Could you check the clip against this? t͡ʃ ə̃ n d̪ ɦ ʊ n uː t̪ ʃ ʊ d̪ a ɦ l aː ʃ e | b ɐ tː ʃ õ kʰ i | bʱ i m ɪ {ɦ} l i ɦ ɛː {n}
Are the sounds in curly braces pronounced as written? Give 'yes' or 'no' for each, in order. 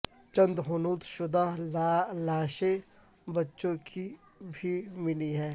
no, no

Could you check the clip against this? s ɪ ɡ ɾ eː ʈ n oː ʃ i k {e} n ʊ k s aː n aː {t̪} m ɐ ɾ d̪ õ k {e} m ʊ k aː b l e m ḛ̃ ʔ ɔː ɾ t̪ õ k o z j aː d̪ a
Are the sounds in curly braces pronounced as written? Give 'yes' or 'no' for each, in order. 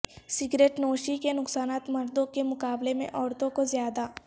yes, yes, yes

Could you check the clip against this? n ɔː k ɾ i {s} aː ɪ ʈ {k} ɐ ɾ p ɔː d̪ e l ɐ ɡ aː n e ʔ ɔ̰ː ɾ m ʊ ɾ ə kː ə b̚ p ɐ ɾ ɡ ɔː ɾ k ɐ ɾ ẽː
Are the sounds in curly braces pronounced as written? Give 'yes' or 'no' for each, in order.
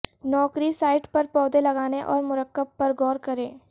yes, no

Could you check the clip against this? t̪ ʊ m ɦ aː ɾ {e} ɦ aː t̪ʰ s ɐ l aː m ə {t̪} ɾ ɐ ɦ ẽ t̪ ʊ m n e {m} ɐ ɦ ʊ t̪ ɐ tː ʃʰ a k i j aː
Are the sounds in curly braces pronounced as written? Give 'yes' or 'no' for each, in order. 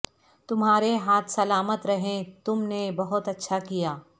yes, yes, no

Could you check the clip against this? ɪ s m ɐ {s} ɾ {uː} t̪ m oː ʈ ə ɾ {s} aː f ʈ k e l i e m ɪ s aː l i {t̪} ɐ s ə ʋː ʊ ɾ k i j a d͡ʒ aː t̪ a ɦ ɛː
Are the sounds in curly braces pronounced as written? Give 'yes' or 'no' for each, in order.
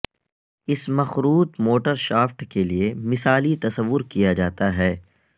no, yes, no, yes

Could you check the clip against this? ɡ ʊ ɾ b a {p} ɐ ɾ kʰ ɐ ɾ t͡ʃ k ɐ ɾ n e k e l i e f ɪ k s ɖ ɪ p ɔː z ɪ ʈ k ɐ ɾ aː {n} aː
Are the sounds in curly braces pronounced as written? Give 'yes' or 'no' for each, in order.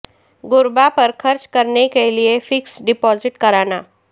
yes, yes

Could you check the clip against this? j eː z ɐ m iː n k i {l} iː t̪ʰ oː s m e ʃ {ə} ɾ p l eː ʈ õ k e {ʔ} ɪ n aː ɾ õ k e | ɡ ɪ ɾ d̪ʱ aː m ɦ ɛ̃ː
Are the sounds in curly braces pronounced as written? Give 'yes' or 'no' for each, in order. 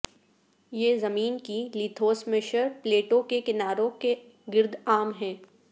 yes, yes, no

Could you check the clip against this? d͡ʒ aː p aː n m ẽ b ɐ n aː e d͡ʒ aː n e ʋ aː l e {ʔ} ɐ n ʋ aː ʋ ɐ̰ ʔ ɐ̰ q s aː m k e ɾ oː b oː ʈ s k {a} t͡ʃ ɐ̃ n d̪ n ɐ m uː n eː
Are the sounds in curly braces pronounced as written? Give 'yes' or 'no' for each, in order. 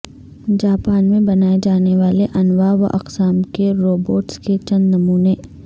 yes, no

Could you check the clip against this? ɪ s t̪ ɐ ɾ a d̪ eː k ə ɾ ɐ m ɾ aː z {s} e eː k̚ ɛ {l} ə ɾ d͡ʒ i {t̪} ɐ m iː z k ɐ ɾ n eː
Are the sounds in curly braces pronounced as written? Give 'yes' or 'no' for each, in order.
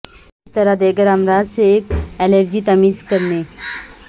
yes, yes, yes

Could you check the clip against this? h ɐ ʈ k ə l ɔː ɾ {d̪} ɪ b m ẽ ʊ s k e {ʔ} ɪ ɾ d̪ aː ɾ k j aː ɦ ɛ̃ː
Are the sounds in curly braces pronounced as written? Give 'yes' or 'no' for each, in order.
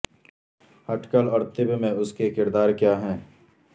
no, no

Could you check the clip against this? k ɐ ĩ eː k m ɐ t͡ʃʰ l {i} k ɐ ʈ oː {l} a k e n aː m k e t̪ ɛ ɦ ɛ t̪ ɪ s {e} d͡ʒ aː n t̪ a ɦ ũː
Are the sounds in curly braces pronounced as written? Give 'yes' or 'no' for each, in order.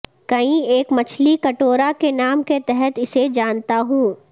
yes, no, yes

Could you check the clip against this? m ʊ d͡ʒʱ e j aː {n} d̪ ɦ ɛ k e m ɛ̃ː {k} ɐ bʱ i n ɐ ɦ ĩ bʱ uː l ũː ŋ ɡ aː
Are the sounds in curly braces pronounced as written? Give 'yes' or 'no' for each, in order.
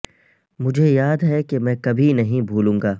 no, yes

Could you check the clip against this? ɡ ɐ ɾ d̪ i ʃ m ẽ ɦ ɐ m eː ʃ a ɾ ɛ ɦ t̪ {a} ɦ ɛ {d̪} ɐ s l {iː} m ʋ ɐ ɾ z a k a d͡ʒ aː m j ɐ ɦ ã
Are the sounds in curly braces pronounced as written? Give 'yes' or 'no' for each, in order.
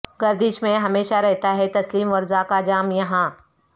yes, no, yes

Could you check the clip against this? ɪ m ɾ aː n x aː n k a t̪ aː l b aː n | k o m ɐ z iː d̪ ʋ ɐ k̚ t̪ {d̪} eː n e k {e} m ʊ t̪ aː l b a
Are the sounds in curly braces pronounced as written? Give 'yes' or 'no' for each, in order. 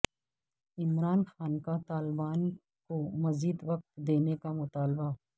yes, no

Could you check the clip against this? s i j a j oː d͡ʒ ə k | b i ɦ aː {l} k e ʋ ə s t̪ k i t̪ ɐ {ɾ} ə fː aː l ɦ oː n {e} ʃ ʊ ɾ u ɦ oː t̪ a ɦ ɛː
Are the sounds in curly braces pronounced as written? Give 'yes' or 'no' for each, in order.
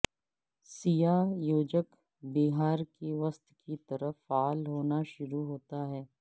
no, yes, no

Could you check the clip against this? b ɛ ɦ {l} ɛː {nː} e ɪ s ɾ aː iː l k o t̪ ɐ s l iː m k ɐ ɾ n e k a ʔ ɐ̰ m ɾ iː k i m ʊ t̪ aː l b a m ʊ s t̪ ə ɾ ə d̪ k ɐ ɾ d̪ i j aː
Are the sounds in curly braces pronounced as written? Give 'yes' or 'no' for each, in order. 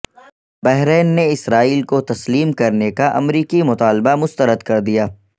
no, yes

